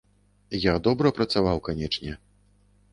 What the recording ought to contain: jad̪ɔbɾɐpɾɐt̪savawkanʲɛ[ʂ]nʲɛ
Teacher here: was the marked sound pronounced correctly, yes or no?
no